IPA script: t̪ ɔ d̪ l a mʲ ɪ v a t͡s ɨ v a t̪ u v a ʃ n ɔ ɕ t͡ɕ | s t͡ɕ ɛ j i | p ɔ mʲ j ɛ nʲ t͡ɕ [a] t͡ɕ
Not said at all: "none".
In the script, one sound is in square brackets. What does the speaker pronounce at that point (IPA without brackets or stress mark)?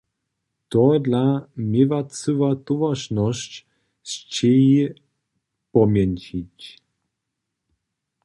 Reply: i